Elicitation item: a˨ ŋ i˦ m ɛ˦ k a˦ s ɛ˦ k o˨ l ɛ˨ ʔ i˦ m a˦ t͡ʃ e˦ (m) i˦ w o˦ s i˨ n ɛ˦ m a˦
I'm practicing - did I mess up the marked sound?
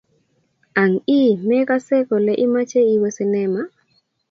yes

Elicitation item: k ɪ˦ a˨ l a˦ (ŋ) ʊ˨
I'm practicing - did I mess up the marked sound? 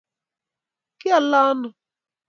yes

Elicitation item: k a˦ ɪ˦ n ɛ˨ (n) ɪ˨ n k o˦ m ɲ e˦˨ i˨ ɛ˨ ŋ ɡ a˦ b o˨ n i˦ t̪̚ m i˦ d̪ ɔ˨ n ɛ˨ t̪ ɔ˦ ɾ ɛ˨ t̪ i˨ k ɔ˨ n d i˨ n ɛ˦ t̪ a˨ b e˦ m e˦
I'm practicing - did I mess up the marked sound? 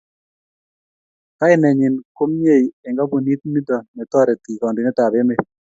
yes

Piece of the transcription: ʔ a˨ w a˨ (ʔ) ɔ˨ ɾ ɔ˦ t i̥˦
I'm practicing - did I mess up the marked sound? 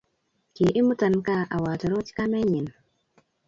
yes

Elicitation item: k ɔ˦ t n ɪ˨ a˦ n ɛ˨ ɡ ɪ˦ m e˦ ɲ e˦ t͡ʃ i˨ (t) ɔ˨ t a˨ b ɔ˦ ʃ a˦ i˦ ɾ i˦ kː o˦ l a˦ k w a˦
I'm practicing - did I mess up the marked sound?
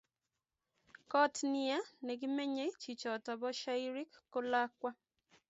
yes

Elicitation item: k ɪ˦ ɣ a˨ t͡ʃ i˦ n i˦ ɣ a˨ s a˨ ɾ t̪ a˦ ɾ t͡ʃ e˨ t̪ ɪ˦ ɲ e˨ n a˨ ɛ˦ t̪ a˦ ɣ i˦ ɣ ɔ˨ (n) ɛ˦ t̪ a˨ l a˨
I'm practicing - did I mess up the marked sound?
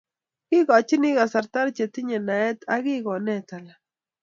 no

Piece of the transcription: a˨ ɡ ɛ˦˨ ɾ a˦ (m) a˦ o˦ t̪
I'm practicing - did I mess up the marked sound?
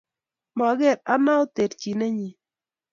yes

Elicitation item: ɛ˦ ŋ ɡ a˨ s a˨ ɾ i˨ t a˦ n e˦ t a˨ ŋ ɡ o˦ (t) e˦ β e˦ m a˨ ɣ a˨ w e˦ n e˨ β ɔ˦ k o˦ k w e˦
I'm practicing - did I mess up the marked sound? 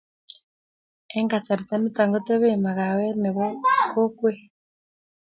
no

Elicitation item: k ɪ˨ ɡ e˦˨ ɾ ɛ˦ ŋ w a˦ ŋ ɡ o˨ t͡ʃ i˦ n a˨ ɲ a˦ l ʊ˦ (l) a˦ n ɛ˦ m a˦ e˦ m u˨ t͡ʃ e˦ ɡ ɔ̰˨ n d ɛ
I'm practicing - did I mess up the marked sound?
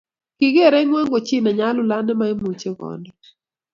no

